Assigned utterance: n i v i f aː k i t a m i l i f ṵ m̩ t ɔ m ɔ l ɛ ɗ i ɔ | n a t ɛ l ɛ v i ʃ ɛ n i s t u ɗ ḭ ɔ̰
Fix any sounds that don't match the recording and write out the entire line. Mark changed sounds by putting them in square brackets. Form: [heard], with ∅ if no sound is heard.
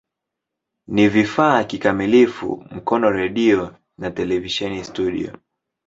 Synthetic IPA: n i v i f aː k i [k] a m i l i f ṵ m̩ [k] ɔ [n] ɔ [ɾ] ɛ ɗ i ɔ | n a t ɛ l ɛ v i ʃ ɛ n i s t u ɗ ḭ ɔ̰